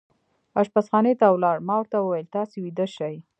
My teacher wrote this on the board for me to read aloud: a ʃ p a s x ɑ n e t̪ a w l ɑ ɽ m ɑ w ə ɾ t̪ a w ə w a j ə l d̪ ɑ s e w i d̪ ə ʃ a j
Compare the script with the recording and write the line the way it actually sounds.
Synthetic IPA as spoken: a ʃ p a s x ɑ n e t̪ a w l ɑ ɽ m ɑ w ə ɾ t̪ a w ə w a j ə l t̪ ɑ s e w i d̪ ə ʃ a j